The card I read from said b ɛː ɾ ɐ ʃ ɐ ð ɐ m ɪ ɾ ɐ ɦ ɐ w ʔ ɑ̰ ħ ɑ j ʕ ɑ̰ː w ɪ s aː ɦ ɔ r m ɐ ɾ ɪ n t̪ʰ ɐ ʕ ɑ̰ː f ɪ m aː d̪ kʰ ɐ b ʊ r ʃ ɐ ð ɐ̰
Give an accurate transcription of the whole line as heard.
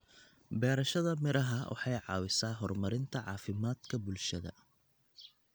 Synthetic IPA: b ɛː ɾ ɐ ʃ ɐ ð ɐ m ɪ ɾ ɐ ɦ ɐ w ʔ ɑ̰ ħ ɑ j ʕ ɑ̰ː w ɪ s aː ɦ ɔ r m ɐ ɾ ɪ n t̪ʰ ɐ ʕ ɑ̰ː f ɪ m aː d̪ kʰ ɐ b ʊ l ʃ ɐ ð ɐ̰